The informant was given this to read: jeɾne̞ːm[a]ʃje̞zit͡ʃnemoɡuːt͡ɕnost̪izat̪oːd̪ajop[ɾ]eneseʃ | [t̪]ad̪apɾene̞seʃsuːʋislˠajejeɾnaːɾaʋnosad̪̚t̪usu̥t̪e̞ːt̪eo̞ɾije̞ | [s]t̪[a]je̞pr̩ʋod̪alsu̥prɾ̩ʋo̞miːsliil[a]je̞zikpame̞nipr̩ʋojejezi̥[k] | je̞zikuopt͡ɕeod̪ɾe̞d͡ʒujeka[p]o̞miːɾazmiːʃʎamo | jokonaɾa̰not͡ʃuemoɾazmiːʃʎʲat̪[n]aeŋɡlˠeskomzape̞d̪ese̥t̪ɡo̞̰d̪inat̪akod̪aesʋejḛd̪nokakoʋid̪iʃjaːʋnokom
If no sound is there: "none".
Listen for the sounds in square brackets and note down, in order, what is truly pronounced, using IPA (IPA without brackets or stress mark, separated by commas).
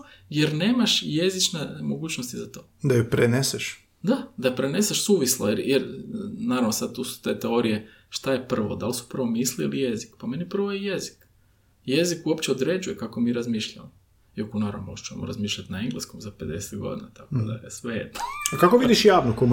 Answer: a, ɾ, d̪, ʃ, a, i, k, k, n